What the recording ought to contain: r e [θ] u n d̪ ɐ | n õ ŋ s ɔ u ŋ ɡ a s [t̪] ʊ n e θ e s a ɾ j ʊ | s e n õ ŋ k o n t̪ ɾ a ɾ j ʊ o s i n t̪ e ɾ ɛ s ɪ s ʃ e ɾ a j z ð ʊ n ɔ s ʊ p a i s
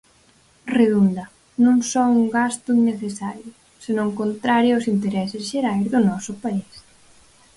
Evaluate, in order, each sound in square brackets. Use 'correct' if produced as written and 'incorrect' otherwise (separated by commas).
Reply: incorrect, correct